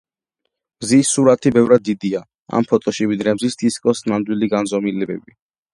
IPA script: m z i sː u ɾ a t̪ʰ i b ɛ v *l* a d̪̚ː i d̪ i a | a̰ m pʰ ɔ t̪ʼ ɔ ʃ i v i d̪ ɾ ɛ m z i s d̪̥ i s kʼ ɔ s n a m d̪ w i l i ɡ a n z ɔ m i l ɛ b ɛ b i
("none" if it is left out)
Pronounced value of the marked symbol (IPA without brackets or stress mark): ɾ